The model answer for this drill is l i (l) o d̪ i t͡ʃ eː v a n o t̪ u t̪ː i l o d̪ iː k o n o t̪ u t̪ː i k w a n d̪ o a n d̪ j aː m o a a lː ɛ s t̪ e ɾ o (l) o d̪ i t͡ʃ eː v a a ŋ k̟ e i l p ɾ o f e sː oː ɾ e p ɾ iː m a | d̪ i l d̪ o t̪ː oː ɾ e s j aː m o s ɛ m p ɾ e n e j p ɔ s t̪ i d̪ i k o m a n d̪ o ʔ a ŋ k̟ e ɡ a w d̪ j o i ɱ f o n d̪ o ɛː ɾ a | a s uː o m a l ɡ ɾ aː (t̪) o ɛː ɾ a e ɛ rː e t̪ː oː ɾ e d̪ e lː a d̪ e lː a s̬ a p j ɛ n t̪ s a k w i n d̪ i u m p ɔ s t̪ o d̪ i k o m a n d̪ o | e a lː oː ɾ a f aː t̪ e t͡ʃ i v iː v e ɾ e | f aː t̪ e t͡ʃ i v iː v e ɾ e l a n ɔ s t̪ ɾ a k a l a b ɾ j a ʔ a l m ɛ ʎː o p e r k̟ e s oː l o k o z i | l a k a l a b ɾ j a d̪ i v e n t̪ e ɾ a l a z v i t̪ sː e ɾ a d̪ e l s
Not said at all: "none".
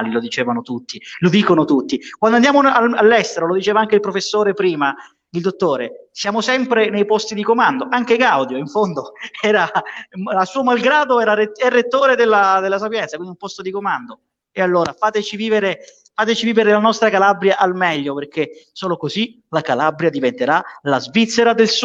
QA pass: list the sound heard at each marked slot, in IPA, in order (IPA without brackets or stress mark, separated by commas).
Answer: l, l, d̪